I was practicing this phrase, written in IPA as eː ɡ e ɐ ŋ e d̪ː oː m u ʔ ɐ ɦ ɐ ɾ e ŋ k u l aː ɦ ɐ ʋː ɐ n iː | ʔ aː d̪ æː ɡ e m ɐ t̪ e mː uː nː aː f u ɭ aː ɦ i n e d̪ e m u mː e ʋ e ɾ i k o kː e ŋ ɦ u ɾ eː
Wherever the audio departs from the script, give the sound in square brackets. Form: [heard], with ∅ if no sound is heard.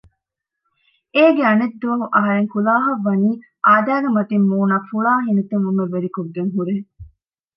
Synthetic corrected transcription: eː ɡ e ɐ [n] e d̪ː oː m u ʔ ɐ ɦ ɐ ɾ e ŋ k u l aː ɦ ɐ ʋː ɐ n iː | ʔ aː d̪ æː ɡ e m ɐ t̪ [i] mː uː [n] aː f u ɭ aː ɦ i n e [t̪] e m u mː e ʋ e ɾ i k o [ɡː] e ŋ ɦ u ɾ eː